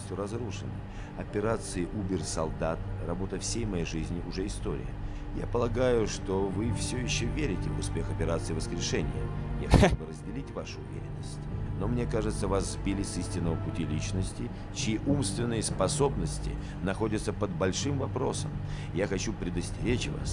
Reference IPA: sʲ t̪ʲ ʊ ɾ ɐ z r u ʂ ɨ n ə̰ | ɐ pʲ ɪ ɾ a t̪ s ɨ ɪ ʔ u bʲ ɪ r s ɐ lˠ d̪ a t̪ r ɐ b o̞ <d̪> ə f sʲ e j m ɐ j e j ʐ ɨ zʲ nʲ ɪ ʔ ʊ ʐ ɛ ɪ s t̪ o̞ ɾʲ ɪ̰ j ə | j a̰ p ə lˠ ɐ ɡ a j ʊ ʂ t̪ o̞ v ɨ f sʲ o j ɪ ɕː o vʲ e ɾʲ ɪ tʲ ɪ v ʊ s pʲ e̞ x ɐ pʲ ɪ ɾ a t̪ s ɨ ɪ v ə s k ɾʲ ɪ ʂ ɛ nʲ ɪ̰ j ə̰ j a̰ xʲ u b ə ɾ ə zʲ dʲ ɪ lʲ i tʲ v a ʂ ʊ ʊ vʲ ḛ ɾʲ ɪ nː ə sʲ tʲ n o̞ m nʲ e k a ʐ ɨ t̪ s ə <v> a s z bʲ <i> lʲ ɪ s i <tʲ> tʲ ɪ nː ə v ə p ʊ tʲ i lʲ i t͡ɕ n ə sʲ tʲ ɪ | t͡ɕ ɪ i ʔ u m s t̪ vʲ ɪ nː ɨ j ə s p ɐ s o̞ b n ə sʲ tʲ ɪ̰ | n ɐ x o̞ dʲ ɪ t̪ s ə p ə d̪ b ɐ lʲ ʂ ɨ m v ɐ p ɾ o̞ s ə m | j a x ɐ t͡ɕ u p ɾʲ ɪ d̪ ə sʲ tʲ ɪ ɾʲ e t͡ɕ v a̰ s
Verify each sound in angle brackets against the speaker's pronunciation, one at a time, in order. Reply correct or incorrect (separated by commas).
incorrect, correct, correct, incorrect